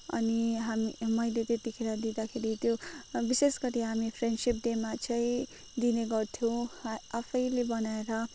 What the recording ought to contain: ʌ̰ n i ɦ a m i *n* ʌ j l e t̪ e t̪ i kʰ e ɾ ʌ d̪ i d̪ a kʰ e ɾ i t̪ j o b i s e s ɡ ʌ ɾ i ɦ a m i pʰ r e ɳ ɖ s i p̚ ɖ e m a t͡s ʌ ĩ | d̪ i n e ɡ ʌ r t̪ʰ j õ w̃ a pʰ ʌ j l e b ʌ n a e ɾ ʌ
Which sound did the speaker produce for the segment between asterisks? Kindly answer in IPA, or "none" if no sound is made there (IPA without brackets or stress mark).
m